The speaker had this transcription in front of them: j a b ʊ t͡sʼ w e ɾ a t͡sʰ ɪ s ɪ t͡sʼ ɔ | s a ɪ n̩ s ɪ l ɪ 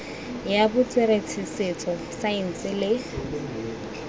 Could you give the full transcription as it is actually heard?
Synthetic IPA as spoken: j a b ʊ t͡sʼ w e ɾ e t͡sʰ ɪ s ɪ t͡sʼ ɔ | s a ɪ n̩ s ɪ l ɪ